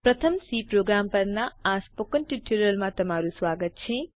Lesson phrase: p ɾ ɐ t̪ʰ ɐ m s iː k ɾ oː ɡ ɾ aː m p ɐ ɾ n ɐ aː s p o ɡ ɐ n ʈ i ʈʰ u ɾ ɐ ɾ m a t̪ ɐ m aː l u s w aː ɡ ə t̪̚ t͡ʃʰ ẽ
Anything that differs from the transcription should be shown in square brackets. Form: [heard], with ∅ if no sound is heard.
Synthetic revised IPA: p ɾ ɐ t̪ʰ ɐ m s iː [p] ɾ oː ɡ ɾ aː m p ɐ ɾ n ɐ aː s p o [k] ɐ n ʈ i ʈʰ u ɾ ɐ [l] m a t̪ ɐ m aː [ɾ] u s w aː ɡ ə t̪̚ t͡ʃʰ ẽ